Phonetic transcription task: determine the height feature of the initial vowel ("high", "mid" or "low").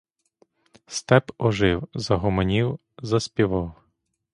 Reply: mid